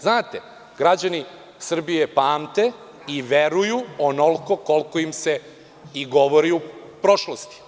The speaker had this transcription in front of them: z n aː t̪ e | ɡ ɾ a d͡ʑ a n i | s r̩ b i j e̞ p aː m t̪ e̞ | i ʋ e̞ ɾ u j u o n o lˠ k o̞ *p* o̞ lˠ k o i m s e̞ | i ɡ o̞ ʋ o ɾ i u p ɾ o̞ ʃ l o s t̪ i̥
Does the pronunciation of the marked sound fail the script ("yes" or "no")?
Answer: yes